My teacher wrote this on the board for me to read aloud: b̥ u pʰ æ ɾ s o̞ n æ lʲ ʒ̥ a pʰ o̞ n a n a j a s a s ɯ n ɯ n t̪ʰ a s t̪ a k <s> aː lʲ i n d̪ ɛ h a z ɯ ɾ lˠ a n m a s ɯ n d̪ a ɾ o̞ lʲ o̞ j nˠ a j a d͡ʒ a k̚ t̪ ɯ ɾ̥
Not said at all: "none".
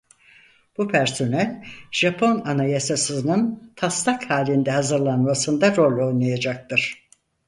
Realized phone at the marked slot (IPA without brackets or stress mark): h